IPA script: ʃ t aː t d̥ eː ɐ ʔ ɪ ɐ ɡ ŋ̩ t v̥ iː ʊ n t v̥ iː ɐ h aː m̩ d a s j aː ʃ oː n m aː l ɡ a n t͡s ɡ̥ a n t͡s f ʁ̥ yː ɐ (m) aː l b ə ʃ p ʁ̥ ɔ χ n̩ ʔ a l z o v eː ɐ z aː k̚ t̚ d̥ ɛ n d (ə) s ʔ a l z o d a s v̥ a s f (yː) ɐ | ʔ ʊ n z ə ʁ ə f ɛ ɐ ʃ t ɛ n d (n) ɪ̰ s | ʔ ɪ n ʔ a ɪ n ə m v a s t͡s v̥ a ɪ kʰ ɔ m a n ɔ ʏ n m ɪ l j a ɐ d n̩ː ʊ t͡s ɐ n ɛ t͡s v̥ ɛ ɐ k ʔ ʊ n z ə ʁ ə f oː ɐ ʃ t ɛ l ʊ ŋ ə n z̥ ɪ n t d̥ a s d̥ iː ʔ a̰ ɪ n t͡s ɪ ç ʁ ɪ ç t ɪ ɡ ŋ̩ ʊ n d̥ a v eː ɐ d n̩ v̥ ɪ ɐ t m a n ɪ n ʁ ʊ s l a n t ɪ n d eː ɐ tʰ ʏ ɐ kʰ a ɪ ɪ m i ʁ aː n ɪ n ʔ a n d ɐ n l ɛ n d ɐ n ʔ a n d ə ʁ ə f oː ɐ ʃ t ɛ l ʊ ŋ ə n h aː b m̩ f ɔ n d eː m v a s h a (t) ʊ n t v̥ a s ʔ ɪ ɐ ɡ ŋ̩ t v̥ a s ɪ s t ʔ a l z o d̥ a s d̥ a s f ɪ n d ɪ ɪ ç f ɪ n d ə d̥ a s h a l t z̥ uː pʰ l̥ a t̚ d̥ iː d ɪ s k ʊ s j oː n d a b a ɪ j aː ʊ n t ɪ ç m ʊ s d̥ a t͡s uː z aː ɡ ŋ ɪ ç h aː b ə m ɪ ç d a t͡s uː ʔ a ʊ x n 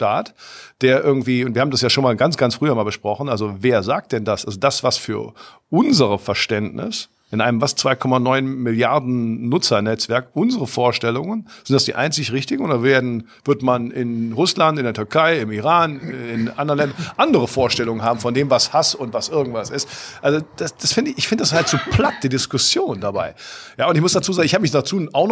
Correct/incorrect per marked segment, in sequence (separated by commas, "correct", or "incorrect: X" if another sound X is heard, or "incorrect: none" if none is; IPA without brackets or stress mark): correct, incorrect: a, correct, correct, incorrect: s